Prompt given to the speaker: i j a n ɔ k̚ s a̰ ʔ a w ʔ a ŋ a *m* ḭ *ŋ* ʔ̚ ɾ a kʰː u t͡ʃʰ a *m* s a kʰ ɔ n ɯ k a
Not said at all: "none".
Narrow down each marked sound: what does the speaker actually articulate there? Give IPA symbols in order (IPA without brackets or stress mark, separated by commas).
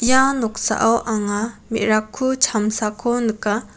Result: m, none, m